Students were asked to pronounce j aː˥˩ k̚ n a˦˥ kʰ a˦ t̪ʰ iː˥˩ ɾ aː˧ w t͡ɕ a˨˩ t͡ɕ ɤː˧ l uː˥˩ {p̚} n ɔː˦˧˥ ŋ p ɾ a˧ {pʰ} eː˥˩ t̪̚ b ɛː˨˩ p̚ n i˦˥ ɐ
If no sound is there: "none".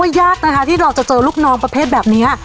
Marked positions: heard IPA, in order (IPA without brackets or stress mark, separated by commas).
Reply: k̚, pʰ